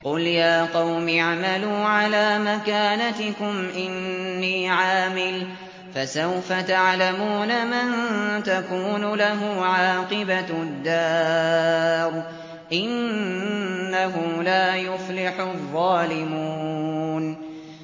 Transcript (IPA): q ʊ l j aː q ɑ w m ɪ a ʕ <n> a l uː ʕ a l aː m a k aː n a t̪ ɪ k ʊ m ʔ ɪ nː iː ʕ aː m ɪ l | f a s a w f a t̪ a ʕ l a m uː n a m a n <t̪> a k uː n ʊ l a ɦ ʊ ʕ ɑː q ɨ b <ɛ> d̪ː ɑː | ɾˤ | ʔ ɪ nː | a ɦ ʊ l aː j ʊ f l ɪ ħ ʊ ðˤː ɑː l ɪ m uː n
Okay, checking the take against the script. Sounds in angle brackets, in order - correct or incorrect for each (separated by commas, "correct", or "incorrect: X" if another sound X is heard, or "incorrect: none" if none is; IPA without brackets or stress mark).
incorrect: m, correct, incorrect: a